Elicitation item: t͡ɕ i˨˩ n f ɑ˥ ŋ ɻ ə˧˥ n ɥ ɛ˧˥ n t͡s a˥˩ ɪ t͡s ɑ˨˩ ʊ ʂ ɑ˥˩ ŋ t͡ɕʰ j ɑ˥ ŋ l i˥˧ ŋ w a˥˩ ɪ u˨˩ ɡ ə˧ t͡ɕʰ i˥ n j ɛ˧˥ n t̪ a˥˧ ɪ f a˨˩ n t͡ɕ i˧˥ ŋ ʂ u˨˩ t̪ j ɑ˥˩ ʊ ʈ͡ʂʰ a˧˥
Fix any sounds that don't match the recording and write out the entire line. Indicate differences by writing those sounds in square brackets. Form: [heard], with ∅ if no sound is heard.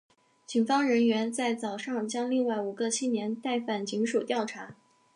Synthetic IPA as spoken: t͡ɕ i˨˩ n f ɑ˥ ŋ ɻ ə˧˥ n ɥ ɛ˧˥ n t͡s a˥˩ ɪ t͡s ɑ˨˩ ʊ ʂ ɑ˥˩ ŋ [t͡ɕ] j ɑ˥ ŋ l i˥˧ ŋ w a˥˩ ɪ u˨˩ ɡ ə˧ t͡ɕʰ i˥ n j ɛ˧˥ n t̪ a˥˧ ɪ f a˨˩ n t͡ɕ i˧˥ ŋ ʂ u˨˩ t̪ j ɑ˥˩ ʊ ʈ͡ʂʰ a˧˥